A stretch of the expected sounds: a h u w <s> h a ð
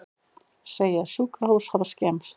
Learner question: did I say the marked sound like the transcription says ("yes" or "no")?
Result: yes